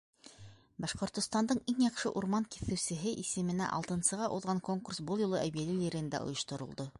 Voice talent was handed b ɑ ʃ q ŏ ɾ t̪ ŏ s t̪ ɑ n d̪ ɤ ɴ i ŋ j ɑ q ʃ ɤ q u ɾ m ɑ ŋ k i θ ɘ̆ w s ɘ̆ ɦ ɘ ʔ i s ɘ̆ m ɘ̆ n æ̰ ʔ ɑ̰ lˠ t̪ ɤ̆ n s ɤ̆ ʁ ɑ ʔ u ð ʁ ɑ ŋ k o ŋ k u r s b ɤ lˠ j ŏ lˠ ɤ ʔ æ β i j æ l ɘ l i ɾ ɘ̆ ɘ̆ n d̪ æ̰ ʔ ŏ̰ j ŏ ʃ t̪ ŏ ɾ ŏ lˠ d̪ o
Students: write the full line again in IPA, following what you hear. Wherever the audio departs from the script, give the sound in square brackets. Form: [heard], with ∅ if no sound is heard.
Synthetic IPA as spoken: b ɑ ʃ q ŏ ɾ t̪ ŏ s t̪ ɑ n d̪ ɤ ɴ i ŋ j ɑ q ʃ ɤ [ʔ] u ɾ m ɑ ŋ k i θ ɘ̆ w s ɘ̆ ɦ ɘ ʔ i s ɘ̆ m ɘ̆ n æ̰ ʔ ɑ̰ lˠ t̪ ɤ̆ n s ɤ̆ ʁ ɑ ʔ u ð ʁ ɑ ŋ k o ŋ k u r s b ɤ lˠ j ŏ lˠ ɤ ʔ æ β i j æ l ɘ l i ɾ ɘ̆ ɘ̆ n d̪ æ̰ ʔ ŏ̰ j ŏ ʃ t̪ ŏ ɾ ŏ lˠ d̪ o